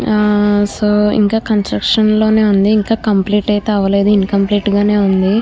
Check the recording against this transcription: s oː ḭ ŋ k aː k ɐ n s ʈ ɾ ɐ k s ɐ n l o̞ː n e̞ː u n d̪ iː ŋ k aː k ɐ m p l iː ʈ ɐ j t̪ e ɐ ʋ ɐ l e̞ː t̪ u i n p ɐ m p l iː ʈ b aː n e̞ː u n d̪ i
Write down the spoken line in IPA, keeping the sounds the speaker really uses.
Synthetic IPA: s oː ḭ ŋ k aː k ɐ n s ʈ ɾ ɐ k ʂ ɐ n l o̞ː n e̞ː u n d̪ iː ŋ k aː k ɐ m p l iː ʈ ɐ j t̪ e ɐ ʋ ɐ l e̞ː d̪ u i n k ɐ m p l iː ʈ ɡ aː n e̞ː u n d̪ i

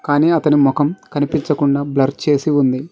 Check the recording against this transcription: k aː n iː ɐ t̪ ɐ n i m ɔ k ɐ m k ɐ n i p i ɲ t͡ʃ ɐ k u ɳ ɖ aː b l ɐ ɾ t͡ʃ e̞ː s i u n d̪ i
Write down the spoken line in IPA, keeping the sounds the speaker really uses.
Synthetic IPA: k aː n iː ɐ t̪ ɐ n i m ɔ k ɐ m k ɐ n i p i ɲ t͡ʃ ɐ k u ɳ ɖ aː b l ɐ ɾ t͡ʃ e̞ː s i u n d̪ i

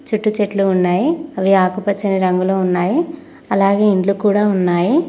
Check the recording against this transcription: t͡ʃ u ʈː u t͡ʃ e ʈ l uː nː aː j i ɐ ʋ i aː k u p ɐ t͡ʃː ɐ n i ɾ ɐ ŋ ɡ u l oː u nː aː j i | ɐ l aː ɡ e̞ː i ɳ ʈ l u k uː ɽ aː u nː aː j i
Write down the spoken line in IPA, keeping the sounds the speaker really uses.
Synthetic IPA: t͡ʃ u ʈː u t͡ʃ e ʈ l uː nː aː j i ɐ ʋ i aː k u p ɐ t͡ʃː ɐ n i ɾ ɐ ŋ ɡ u l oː u nː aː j i | ɐ l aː ɡ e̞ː i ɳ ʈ l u k uː ɽ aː u nː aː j i

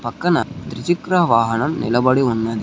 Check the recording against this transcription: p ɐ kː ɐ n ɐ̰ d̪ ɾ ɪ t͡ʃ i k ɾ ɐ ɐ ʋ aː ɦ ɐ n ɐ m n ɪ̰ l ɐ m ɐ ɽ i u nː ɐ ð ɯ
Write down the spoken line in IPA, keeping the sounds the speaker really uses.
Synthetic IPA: p ɐ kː ɐ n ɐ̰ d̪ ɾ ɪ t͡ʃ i k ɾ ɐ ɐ ʋ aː ɦ ɐ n ɐ m n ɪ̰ l ɐ b ɐ ɽ i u nː ɐ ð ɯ

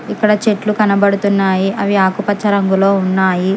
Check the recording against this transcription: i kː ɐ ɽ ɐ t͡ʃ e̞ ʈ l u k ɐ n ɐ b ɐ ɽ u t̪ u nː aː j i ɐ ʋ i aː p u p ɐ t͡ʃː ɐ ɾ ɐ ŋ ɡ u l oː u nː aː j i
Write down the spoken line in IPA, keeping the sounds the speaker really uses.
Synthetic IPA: i kː ɐ ɽ ɐ t͡ʃ e̞ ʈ l u k ɐ n ɐ b ɐ ɽ u t̪ u nː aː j i ɐ ʋ i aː k u p ɐ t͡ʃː ɐ ɾ ɐ ŋ ɡ u l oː u nː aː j i

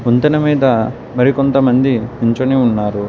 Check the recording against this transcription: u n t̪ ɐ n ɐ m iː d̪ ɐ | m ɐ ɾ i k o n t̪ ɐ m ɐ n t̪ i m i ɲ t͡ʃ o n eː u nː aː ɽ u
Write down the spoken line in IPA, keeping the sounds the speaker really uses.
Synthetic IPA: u n t̪ ɐ n ɐ m iː d̪ ɐ | m ɐ ɾ i k o n t̪ ɐ m ɐ n d̪ i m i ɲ t͡ʃ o n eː u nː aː ɾ u

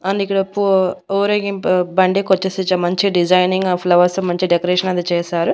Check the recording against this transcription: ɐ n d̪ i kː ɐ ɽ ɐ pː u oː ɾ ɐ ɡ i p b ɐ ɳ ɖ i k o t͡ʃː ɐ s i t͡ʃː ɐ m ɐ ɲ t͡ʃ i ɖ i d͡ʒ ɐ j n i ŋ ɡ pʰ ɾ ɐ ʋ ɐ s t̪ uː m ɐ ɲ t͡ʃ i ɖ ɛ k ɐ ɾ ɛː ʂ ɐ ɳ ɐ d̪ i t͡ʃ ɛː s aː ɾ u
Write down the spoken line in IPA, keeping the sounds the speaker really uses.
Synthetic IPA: ɐ n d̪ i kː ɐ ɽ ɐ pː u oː ɾ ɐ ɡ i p b ɐ ɳ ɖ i k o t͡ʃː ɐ s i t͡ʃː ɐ m ɐ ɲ t͡ʃ i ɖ i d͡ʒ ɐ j n i ŋ ɡ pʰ l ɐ ʋ ɐ s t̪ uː m ɐ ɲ t͡ʃ i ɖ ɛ k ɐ ɾ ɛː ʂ ɐ n ɐ d̪ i t͡ʃ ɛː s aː ɾ u

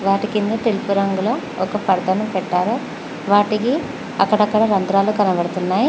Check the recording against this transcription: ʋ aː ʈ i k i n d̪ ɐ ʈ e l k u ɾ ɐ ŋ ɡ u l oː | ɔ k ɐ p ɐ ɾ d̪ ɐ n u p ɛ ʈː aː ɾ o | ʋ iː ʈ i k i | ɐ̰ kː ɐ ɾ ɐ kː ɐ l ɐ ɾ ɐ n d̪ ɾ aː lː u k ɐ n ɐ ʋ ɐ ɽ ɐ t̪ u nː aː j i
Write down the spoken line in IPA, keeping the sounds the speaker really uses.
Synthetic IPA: ʋ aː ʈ i k i n d̪ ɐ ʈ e l p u ɾ ɐ ŋ ɡ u l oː | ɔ k ɐ p ɐ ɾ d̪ ɐ n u p ɛ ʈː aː ɾ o | ʋ aː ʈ i k i | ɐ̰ kː ɐ ɽ ɐ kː ɐ ɽ ɐ ɾ ɐ n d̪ ɾ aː l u k ɐ n ɐ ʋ ɐ ɽ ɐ t̪ u nː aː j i

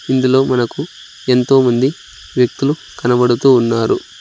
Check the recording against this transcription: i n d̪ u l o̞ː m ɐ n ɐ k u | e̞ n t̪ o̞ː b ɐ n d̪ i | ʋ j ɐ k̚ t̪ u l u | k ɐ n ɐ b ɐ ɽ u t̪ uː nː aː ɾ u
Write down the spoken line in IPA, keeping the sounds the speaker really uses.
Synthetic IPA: i n d̪ u l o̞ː m ɐ n ɐ k u | e̞ n t̪ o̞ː m ɐ n d̪ i | ʋ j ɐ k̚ t̪ u l u | k ɐ n ɐ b ɐ ɽ u t̪ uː nː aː ɾ u

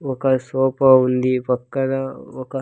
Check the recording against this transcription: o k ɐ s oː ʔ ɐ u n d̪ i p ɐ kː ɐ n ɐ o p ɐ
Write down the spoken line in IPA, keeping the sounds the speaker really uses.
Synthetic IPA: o k ɐ s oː p ɐ u n d̪ i p ɐ kː ɐ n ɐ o k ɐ

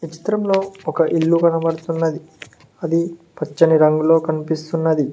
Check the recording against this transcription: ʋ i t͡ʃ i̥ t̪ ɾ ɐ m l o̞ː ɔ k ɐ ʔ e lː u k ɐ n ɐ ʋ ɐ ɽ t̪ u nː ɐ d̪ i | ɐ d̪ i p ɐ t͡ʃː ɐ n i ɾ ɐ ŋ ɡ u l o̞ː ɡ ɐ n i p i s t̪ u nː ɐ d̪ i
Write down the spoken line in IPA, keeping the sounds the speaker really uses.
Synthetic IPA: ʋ i t͡ʃ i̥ t̪ ɾ ɐ m l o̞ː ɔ k ɐ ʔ i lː u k ɐ n ɐ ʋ ɐ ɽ t̪ u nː ɐ d̪ i | ɐ d̪ i p ɐ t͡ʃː ɐ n i ɾ ɐ ŋ ɡ u l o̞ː k ɐ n i p i s t̪ u nː ɐ d̪ i

